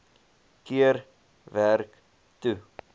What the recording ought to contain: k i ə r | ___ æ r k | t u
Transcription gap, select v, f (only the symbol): v